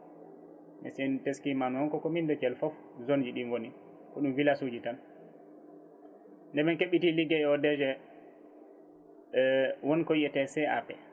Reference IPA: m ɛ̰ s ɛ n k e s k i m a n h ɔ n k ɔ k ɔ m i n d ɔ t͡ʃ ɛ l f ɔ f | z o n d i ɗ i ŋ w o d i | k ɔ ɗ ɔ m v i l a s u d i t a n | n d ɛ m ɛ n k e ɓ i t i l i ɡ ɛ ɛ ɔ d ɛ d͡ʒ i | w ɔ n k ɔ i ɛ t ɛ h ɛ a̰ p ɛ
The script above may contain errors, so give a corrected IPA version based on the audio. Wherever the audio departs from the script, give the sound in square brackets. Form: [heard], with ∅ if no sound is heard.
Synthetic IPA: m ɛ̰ s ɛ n [t] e s k i m a n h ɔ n k ɔ k ɔ m i n d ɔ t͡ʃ ɛ l f ɔ f | z o n [d͡ʒ] i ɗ i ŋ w o [n] i | k ɔ ɗ [u] m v i l a s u [d͡ʒ] i t a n | n d ɛ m ɛ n k e ɓ i t i l i ɡ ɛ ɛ ɔ d ɛ d͡ʒ [ɛ] | w ɔ n k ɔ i ɛ t ɛ [s] ɛ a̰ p ɛ

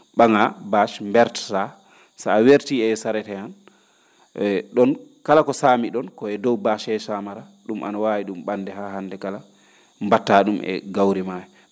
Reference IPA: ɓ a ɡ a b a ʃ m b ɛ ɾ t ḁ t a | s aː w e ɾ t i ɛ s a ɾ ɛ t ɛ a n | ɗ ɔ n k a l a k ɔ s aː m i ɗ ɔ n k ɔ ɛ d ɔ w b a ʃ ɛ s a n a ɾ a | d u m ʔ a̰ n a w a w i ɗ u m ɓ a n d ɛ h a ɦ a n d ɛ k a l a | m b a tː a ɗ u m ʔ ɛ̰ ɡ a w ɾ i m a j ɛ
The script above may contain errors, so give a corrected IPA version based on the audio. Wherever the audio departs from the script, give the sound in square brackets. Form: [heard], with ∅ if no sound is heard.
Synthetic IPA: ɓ a [ŋ] a b a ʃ m b ɛ ɾ t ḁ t a | s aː w e ɾ t i ɛ s a ɾ ɛ t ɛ a n | ɗ ɔ n k a l a k ɔ s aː m i ɗ ɔ n k ɔ ɛ d ɔ w b a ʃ ɛ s a [m] a ɾ a | [ɗ] u m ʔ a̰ n a w a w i ɗ u m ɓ a n d ɛ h a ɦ a n d ɛ k a l a | m b a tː a ɗ u m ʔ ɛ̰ ɡ a w ɾ i m a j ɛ

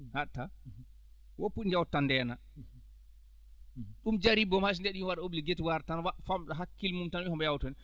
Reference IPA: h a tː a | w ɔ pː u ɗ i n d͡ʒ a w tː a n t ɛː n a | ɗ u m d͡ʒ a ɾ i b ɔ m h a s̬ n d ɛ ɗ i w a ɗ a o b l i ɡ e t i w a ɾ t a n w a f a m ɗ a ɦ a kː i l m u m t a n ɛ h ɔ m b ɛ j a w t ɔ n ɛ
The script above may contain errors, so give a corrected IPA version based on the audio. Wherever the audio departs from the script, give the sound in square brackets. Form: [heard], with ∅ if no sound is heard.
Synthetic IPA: h a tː a | w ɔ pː u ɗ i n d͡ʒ a w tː a n [d] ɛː n a | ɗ u m d͡ʒ a ɾ i b ɔ m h a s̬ n d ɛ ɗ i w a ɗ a o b l i ɡ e t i w a ɾ t a n w a f a m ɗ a ɦ a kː i l m u m t a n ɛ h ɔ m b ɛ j a w t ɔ n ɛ

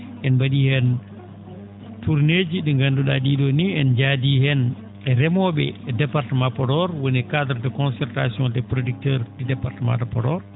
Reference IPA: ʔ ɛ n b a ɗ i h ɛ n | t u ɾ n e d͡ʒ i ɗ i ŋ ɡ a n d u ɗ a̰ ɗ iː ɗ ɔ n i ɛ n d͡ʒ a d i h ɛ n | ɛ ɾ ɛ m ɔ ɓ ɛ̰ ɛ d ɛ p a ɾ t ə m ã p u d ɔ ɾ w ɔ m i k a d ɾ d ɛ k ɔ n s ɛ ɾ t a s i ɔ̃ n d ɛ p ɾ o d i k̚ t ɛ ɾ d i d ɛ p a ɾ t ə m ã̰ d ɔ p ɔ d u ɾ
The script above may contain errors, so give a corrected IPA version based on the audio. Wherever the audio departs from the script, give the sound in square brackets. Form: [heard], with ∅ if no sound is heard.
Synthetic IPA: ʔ ɛ n b a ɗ i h ɛ n | t u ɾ n e d͡ʒ i ɗ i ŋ ɡ a n d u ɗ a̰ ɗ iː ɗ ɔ n i ɛ n d͡ʒ a d i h ɛ n | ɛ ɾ ɛ m ɔ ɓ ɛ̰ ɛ d ɛ p a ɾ t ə m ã p [ɔ] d ɔ ɾ w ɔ [n] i k a d ɾ d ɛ k ɔ n s ɛ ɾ t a s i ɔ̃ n d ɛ p ɾ o d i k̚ t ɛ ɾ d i d ɛ p a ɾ t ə m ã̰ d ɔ p ɔ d [ɔ] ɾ

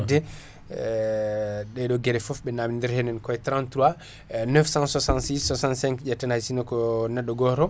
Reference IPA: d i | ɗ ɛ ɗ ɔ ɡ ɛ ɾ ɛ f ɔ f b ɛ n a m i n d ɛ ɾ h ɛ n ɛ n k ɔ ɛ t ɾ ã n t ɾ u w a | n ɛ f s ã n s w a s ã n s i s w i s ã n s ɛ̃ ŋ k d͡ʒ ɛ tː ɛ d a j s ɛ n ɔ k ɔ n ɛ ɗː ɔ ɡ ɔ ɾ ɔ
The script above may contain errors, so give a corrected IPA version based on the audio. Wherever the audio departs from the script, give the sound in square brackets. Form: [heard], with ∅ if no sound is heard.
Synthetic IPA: d [ɛ] | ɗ ɛ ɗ ɔ ɡ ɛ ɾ ɛ f ɔ f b ɛ n a m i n d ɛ ɾ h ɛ n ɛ n k ɔ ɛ t ɾ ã n t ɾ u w a | n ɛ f s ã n s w a s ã n s i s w [a] s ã n s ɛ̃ ŋ k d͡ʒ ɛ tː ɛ [n] a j s [i] n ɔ k ɔ n ɛ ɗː ɔ ɡ ɔ ɾ ɔ

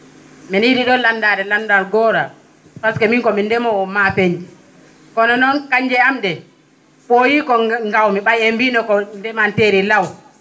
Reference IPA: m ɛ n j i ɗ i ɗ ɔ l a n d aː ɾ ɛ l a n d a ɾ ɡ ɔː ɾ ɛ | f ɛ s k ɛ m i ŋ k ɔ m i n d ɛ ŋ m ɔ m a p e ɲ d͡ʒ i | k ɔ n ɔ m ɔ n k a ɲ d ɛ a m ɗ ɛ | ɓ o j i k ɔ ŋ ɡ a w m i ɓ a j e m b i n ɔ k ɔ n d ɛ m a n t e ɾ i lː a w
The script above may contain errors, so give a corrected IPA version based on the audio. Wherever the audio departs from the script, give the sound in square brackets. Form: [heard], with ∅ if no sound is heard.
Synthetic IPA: m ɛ n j i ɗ i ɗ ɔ l a n d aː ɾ ɛ l a n d a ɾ ɡ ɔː ɾ [a] | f [a] s k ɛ m i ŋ k ɔ m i n d ɛ [∅] m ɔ m a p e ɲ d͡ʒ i | k ɔ n ɔ [n] ɔ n k a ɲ [d͡ʒ] ɛ a m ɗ ɛ | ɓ o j i k ɔ ŋ ɡ a w m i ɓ a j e m b i n ɔ k ɔ n d ɛ m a n t e ɾ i [l] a w

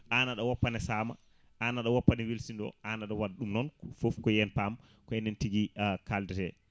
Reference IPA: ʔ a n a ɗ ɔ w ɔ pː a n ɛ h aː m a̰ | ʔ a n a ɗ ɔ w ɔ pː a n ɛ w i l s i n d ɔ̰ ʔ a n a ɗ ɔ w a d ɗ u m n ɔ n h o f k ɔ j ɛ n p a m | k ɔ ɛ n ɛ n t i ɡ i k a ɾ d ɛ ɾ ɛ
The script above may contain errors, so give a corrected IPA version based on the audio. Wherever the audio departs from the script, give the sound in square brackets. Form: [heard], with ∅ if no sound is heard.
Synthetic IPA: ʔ a n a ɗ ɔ w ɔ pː a n ɛ [s] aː m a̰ | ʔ a n a ɗ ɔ w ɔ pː a n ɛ w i l s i n d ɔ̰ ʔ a n a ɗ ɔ w a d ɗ u m n ɔ n [f] o f k ɔ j ɛ n p a m | k ɔ ɛ n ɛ n t i ɡ i k a [l] d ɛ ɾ ɛ

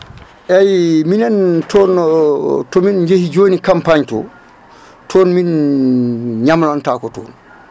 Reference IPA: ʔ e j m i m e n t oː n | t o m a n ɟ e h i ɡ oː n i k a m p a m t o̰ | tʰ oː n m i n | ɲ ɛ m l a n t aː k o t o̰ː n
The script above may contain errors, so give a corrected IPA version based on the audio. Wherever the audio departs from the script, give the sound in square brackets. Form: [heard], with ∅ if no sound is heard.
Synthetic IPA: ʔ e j m i [n] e n t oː n | t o m [i] n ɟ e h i [ɟ] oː n i k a m p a [ɲ] t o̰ | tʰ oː n m i n | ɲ [a] m l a n t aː k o t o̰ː n

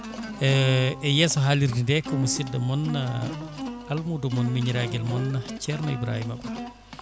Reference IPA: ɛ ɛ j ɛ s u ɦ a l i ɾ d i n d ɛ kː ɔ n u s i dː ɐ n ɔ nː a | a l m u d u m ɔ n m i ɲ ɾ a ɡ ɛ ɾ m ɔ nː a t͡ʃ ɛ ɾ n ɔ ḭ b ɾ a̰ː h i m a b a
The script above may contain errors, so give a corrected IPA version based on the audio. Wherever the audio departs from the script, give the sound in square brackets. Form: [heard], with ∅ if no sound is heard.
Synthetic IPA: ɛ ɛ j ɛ s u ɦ a l i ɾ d i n d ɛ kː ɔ [m] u s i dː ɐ [m] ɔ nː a | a l m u d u m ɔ n m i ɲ ɾ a ɡ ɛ [l] m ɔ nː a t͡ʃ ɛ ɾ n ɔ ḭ b ɾ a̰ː h i m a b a

